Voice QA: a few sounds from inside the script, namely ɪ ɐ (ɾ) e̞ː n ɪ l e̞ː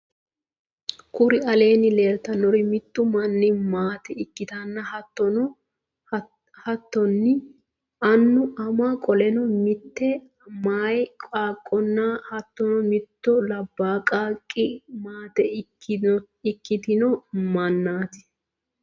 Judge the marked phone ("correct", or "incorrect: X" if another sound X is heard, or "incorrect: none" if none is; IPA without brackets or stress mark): incorrect: l